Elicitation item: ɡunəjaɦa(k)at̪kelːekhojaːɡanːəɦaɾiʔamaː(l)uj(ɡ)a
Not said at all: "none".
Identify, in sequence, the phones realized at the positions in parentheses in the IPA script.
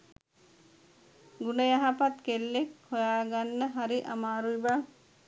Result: p, ɾ, b

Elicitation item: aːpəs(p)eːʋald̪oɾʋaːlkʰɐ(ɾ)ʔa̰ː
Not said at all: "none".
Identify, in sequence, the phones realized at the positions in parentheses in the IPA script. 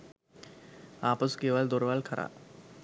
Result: k, ɾ

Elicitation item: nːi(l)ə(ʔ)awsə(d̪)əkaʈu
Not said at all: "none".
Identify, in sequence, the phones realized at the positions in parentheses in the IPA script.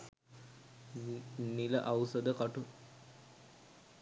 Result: l, ʔ, d̪

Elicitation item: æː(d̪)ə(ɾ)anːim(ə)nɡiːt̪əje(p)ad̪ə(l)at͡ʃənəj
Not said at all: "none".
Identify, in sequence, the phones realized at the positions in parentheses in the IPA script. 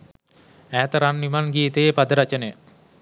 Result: t̪, ɾ, a, p, ɾ

